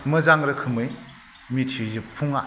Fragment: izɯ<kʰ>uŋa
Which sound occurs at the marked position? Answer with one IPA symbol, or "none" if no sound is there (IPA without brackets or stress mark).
pʰ